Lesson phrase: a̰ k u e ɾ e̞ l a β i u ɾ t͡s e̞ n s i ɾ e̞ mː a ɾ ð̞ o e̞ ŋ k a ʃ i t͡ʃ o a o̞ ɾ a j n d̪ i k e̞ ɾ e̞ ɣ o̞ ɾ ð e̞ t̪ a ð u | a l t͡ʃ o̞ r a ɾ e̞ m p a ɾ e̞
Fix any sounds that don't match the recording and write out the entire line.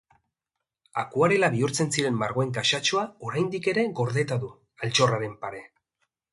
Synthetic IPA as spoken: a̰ k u a ɾ e̞ l a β i u ɾ t͡s e̞ n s i ɾ e̞ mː a ɾ ɣ̞ o e̞ ŋ k a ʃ a t͡ʃ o a o̞ ɾ a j n d̪ i k e̞ ɾ e̞ ɣ o̞ ɾ ð e̞ t̪ a ð u | a l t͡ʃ o̞ r a ɾ e̞ m p a ɾ e̞